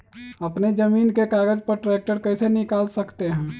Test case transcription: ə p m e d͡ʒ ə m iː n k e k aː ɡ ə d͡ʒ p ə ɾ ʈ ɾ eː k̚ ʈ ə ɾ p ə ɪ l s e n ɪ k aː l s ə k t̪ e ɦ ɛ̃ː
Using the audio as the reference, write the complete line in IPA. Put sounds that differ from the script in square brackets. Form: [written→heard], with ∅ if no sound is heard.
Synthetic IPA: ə p [m→n] e d͡ʒ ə m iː n k e k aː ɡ ə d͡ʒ p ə ɾ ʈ ɾ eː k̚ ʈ ə ɾ [p→k] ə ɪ [l→∅] s e n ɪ k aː l s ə k t̪ e ɦ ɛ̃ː